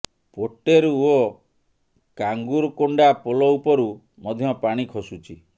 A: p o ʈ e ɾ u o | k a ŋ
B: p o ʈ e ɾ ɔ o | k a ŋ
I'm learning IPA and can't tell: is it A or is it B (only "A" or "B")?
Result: A